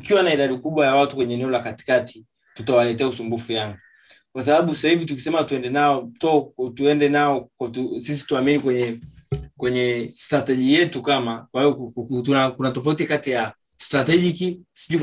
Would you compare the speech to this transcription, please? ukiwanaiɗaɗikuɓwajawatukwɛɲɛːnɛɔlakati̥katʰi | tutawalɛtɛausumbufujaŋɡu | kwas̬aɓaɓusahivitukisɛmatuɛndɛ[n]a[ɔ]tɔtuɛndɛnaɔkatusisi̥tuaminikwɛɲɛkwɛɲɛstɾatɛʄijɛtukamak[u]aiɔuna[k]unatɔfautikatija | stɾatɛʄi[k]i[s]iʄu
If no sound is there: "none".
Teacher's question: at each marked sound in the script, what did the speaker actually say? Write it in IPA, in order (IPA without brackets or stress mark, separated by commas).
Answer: n, ɔ, w, k, k, s